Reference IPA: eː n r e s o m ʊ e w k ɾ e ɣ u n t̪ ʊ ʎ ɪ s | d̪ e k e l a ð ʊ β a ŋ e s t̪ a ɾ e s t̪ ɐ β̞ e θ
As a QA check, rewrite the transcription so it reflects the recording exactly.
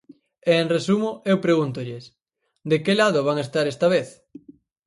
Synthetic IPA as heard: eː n r e s u m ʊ e w p ɾ e ɣ u n t̪ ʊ ʎ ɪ s | d̪ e k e l a ð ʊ β a ŋ e s t̪ a ɾ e s t̪ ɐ β̞ e θ